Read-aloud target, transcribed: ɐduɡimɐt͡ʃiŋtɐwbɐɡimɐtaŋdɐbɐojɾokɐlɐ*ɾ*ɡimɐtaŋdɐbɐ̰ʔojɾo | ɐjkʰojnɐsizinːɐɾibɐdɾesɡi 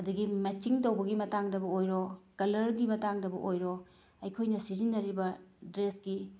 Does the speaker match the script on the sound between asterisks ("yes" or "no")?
yes